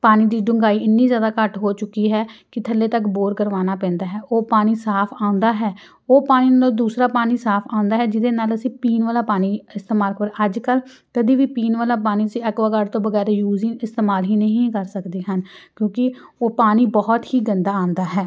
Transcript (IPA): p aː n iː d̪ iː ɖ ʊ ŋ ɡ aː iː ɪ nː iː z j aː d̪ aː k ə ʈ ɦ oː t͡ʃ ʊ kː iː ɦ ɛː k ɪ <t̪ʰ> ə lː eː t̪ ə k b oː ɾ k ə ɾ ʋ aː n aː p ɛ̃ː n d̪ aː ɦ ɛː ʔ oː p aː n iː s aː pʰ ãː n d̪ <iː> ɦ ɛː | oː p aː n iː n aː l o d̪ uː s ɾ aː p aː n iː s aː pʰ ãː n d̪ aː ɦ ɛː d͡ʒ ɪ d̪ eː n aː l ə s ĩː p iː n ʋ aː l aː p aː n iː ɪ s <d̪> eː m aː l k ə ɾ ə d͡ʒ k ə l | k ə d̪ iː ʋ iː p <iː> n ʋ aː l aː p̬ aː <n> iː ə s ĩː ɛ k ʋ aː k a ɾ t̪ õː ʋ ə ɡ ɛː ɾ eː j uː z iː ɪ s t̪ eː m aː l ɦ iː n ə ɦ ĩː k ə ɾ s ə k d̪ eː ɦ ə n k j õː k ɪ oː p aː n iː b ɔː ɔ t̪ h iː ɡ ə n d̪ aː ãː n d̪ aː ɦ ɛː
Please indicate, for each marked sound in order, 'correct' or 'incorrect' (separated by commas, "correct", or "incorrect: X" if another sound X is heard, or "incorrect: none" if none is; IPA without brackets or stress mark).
correct, incorrect: aː, incorrect: t̪, correct, correct